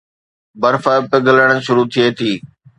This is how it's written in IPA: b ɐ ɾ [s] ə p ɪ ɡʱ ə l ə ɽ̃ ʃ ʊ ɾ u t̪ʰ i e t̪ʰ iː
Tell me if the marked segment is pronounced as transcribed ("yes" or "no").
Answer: no